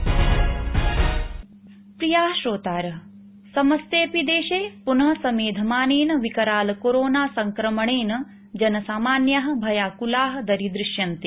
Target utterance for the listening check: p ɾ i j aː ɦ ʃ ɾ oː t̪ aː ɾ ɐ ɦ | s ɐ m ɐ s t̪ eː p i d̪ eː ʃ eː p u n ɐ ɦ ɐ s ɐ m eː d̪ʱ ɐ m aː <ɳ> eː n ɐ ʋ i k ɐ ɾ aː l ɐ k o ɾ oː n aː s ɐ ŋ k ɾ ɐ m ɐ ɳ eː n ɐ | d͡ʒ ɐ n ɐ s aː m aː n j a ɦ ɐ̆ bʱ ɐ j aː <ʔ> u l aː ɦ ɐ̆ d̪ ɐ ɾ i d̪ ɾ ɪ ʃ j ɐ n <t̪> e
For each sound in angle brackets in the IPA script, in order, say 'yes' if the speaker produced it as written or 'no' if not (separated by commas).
no, no, yes